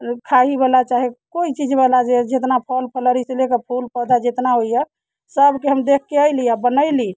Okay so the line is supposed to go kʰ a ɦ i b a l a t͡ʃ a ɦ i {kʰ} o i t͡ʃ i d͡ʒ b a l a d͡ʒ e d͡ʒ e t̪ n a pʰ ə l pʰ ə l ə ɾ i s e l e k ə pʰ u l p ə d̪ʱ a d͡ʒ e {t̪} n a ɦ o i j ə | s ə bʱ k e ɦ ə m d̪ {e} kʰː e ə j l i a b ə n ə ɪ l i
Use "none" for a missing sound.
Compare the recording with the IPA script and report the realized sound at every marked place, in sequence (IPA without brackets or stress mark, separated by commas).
k, t̪, e